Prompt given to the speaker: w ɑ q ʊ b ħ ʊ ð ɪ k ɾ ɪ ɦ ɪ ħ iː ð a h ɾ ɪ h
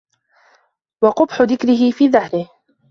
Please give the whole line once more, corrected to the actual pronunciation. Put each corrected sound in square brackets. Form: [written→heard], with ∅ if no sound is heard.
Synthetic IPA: w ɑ q ʊ b ħ ʊ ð ɪ k ɾ ɪ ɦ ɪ [ħ→f] iː ð a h ɾ ɪ h